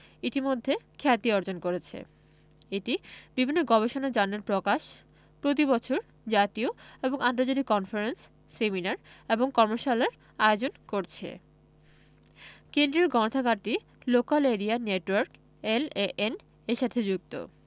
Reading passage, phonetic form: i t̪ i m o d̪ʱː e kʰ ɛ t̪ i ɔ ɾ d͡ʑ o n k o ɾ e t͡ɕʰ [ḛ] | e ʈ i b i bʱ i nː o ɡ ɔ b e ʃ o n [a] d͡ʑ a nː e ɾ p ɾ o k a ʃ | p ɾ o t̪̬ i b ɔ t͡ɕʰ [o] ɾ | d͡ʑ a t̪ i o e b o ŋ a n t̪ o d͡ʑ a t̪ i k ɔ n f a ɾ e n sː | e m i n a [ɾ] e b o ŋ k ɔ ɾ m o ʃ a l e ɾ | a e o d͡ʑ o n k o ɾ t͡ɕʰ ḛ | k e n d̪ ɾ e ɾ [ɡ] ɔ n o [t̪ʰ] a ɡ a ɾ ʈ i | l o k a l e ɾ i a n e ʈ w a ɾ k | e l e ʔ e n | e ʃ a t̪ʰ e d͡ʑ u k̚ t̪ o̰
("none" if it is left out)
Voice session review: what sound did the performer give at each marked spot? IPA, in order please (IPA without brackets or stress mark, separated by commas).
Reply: ḛ, a, o, ɾ, ɡ, t̪ʰ